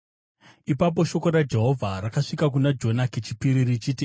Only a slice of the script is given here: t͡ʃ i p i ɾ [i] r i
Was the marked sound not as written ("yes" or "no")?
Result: no